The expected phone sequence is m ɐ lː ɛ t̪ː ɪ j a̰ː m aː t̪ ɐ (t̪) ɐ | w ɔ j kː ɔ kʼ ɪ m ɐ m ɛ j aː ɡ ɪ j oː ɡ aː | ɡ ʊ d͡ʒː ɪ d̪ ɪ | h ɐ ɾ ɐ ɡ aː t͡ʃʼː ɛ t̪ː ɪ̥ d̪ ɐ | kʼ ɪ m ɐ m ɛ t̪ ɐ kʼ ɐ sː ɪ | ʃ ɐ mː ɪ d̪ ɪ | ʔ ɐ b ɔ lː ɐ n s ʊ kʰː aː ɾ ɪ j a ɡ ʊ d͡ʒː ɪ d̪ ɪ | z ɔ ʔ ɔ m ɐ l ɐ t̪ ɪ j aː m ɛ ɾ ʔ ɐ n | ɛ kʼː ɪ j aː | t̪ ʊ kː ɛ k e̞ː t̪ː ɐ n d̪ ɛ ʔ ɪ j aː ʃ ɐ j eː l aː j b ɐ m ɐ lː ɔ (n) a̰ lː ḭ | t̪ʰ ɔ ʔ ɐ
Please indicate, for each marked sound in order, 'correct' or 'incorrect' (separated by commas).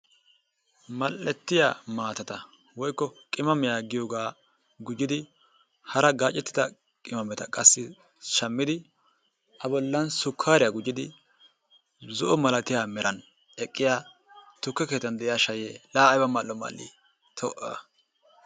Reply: correct, incorrect